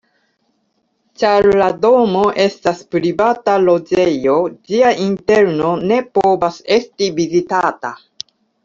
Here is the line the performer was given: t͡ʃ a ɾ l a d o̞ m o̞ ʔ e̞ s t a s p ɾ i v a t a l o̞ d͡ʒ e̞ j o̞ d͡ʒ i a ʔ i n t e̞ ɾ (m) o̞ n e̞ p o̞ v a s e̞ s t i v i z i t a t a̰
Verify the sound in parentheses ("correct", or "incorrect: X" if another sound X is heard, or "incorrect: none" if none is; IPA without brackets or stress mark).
incorrect: n